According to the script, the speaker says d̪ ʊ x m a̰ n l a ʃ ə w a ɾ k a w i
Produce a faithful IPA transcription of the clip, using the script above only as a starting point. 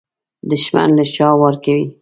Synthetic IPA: d̪ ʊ ʃ m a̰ n l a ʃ ɑ w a ɾ k a w i